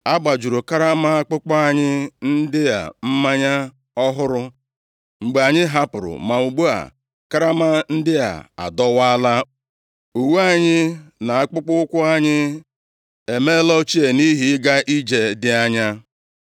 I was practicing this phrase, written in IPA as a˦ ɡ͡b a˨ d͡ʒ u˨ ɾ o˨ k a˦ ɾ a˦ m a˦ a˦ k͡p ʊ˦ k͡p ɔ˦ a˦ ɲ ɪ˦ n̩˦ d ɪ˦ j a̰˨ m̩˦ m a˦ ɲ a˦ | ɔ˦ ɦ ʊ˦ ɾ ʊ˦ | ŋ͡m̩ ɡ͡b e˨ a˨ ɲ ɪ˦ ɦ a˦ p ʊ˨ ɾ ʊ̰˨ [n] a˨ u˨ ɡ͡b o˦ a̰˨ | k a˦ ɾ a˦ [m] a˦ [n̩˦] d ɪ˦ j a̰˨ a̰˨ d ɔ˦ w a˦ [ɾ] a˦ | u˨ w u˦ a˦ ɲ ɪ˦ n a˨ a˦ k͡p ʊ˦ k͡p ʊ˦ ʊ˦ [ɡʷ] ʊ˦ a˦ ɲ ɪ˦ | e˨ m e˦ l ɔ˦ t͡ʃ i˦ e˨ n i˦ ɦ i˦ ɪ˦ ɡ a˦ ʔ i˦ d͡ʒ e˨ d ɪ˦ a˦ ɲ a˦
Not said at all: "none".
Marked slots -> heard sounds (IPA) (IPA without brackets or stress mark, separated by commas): m, m, n̩˦, l, kʷ